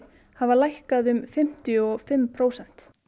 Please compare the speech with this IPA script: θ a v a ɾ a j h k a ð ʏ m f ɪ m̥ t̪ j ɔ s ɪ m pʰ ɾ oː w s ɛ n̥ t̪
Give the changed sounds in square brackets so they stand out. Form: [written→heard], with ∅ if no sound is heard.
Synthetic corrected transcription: [θ→h] a v a [ɾ→l] a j h k a ð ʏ m f ɪ m̥ t̪ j ɔ [s→f] ɪ m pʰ ɾ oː w s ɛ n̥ t̪